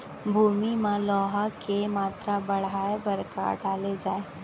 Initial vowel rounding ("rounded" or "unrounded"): rounded